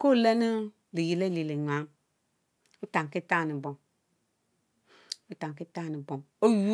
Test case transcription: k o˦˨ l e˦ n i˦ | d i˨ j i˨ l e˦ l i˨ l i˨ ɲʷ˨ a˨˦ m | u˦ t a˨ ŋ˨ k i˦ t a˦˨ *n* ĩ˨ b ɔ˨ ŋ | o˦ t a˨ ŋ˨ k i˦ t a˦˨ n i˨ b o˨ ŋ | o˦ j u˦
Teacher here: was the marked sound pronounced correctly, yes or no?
yes